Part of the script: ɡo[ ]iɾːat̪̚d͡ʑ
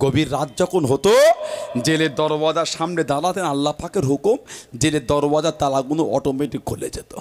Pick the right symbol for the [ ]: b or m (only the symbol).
b